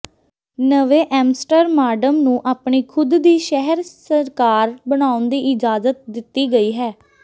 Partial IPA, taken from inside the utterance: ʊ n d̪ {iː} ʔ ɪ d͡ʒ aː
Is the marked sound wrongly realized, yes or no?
no